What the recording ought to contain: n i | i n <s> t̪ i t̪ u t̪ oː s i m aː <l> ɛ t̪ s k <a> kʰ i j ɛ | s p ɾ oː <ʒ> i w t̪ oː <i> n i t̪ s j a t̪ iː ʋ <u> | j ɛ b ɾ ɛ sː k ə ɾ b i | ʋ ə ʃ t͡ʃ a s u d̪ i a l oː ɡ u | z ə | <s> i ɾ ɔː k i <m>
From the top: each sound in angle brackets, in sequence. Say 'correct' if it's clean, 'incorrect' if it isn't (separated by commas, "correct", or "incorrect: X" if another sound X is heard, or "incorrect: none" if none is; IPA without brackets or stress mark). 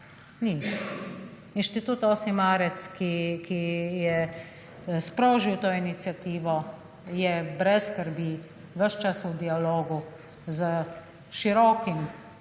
incorrect: ʃ, incorrect: ɾ, incorrect: i, correct, correct, incorrect: ɔ, incorrect: ʃ, correct